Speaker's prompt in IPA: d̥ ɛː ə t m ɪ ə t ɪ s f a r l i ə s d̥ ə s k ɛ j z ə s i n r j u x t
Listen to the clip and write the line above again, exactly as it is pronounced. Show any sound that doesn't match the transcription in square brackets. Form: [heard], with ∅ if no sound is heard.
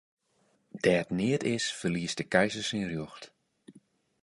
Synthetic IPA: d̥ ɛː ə t [n] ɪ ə t ɪ s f [ə] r l i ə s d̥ ə [∅] k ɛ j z ə s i n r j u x t